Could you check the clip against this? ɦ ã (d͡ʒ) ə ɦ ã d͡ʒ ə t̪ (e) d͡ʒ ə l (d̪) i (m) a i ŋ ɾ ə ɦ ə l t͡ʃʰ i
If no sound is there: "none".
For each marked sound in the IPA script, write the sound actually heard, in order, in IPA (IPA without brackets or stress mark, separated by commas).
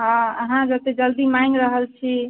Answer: none, e, d̪, m